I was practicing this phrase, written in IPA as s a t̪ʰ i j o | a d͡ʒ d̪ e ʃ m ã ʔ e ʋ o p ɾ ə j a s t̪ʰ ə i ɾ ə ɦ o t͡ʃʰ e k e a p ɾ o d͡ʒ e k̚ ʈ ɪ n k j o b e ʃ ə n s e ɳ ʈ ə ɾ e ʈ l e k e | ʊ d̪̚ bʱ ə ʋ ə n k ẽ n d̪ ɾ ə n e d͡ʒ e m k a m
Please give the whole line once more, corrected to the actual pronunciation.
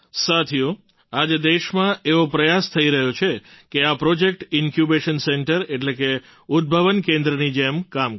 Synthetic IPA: s a t̪ʰ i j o | a d͡ʒ d̪ e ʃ m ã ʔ e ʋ o p ɾ ə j a s t̪ʰ ə i ɾ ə ɦ o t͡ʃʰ e k e a p ɾ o d͡ʒ e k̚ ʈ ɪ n k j u b e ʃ ə n s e ɳ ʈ ə ɾ e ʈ l e k e | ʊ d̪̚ bʱ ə ʋ ə n k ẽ n d̪ ɾ ə n i d͡ʒ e m k a m